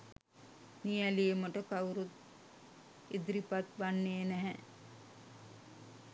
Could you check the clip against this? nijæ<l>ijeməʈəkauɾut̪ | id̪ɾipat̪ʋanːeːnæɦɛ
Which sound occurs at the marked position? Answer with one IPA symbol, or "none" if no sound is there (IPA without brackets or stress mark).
l